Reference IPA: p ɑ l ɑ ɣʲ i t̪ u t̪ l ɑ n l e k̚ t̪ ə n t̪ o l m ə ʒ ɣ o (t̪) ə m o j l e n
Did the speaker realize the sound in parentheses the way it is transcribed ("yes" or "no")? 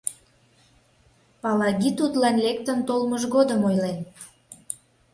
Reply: no